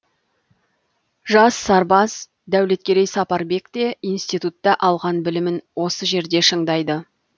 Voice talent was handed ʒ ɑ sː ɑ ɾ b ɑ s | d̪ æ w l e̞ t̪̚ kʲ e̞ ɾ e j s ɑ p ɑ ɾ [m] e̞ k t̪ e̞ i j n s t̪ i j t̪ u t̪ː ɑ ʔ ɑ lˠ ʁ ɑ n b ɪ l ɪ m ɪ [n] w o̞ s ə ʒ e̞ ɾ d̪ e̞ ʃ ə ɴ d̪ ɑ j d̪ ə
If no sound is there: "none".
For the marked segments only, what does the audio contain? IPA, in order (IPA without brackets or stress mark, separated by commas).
b, n